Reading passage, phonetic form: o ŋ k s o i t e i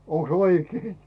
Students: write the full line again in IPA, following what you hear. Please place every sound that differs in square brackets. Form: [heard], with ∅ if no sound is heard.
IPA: o ŋ k s o i [k] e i